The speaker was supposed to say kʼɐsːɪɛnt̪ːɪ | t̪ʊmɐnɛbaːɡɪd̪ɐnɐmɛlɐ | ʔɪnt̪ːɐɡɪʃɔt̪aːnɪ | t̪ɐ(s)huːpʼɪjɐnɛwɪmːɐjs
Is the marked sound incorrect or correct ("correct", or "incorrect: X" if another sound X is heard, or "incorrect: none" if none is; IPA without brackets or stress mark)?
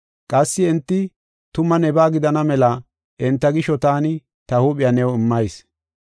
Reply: incorrect: none